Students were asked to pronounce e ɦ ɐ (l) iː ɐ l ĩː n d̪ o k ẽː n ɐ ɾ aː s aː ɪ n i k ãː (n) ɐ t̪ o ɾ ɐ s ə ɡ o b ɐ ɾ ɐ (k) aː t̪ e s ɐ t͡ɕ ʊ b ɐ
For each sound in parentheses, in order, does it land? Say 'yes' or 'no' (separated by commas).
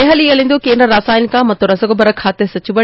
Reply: yes, no, no